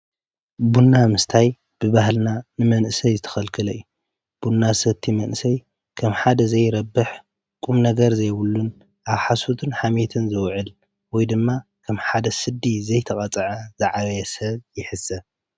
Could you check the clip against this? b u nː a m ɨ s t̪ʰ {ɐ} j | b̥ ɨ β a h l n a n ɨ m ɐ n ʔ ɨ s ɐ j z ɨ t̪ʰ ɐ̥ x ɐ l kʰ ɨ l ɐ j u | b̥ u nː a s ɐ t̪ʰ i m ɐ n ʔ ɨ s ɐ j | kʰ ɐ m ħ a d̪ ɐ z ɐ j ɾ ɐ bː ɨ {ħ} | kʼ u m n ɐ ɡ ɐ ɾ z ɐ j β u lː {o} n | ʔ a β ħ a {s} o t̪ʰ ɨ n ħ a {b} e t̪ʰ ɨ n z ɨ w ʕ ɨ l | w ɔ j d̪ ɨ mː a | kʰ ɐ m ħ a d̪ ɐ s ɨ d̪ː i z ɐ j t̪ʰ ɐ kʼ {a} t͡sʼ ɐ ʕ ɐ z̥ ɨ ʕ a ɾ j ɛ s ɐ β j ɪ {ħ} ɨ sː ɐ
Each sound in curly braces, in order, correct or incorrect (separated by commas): incorrect, correct, incorrect, correct, incorrect, incorrect, correct